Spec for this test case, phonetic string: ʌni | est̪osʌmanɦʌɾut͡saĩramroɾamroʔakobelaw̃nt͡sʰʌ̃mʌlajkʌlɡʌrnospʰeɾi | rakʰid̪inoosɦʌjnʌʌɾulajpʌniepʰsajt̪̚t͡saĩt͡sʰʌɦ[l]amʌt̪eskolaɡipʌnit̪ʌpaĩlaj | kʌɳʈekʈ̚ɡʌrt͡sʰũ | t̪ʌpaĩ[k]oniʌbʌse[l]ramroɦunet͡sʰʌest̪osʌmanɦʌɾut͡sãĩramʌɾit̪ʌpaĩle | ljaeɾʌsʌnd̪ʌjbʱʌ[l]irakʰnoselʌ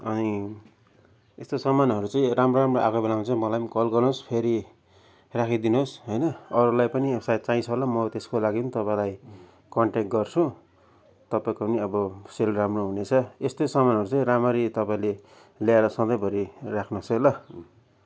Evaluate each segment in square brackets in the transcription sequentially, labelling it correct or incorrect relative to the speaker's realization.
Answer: correct, correct, correct, incorrect: ɾ

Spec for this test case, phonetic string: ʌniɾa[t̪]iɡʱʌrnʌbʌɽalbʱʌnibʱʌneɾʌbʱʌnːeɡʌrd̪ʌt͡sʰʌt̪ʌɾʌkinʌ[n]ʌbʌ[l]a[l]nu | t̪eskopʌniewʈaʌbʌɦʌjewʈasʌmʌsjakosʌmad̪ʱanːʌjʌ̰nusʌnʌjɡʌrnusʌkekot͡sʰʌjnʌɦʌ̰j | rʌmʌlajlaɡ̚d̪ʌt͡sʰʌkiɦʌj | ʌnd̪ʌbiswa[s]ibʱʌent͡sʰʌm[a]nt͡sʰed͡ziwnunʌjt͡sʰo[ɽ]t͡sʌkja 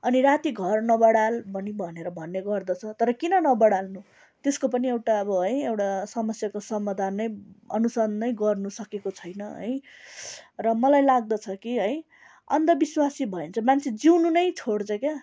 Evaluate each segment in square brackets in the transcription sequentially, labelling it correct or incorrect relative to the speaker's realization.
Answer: correct, correct, incorrect: ɽ, correct, correct, correct, correct

